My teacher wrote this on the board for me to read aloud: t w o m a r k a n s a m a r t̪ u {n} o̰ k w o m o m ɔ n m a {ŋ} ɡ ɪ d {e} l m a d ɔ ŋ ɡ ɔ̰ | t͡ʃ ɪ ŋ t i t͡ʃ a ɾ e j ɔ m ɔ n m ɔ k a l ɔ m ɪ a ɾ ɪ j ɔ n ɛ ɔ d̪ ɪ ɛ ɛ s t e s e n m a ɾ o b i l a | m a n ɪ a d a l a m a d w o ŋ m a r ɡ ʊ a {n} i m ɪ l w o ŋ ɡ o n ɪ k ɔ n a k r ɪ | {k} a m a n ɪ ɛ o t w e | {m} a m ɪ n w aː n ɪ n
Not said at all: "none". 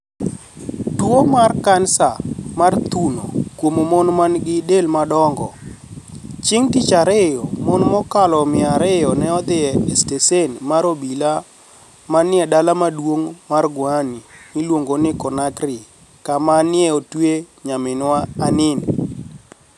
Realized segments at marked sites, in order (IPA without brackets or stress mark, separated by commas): n, n, e, n, k, ɲ